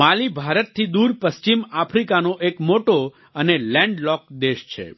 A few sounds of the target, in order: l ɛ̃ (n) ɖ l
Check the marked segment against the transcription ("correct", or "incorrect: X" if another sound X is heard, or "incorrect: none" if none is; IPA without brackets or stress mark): incorrect: ɳ